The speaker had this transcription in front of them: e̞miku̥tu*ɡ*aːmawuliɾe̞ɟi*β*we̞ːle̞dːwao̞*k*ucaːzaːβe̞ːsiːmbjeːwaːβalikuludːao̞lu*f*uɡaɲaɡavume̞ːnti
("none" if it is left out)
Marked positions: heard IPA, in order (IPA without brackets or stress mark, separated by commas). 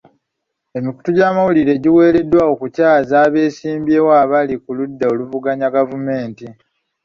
ɟ, none, k, v